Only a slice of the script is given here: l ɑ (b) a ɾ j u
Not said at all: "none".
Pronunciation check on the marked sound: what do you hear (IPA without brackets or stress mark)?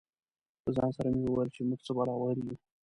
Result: w